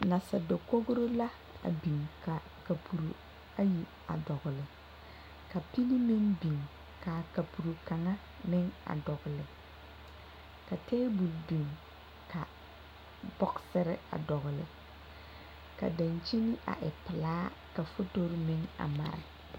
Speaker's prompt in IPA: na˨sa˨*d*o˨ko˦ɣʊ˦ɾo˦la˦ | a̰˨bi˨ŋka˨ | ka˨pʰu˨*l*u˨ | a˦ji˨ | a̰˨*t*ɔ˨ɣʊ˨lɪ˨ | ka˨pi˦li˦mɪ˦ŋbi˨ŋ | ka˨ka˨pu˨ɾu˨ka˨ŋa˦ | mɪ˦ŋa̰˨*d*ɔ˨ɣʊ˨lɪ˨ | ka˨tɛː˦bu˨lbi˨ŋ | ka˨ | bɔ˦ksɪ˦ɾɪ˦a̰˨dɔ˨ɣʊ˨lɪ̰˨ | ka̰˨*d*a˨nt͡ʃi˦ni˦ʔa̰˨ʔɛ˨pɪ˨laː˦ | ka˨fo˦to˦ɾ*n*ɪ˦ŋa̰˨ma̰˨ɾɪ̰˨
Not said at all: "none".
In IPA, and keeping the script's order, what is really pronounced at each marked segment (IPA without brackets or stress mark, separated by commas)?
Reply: d, ɾ, d, d, d, m